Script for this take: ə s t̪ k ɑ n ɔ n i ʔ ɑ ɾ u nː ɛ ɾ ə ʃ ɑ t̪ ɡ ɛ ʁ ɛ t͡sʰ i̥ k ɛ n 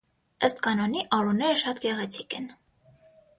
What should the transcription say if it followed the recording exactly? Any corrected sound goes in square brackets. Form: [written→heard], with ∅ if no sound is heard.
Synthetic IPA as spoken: ə s t̪ k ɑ n ɔ n i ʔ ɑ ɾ u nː ɛ ɾ ə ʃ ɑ t̪ ɡ ɛ ʁ ɛ t͡sʰ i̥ k ɛ n